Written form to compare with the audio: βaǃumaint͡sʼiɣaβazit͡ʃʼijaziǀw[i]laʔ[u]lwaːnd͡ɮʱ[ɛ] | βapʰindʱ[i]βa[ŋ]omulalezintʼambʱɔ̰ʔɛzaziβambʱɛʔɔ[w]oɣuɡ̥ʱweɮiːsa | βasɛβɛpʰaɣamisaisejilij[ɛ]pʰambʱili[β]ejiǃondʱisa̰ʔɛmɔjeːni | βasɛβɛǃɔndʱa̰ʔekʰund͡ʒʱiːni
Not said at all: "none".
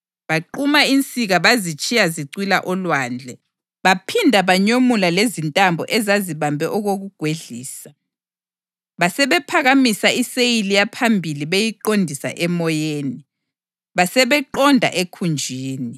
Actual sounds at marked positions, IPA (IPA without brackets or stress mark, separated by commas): i, ɔ, ɛ, a, ɲ, ɣ, a, β